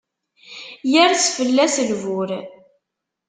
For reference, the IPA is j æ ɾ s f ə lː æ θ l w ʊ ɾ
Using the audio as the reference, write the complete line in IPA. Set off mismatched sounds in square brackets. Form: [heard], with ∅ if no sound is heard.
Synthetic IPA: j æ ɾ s f ə lː æ [s] l [v] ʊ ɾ